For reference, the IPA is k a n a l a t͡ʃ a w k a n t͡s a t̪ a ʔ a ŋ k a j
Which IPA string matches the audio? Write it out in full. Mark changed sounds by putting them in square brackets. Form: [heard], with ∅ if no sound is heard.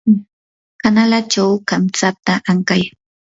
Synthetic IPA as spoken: k a n a l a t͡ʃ a w k a [m] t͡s a t̪ a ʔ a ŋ k a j